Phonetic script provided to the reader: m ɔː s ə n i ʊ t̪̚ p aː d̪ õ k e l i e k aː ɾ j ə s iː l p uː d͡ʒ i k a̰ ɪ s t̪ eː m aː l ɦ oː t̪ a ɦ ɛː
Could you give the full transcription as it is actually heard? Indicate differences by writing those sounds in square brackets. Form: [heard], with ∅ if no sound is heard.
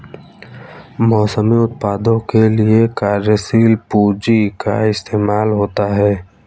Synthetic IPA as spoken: m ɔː s ə [m] i ʊ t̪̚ p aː d̪ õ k e l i e k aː ɾ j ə s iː l p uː d͡ʒ i k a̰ ɪ s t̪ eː m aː l ɦ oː t̪ a ɦ ɛː